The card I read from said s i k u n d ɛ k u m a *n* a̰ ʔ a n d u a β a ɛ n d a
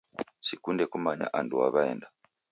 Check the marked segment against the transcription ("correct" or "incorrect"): incorrect